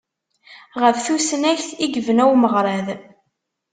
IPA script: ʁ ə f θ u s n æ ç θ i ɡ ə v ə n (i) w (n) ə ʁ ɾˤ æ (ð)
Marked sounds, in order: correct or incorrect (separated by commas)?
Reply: incorrect, incorrect, correct